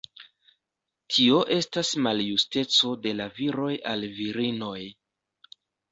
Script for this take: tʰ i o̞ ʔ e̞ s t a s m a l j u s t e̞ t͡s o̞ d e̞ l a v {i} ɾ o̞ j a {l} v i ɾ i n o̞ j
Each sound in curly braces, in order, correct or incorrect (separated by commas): correct, correct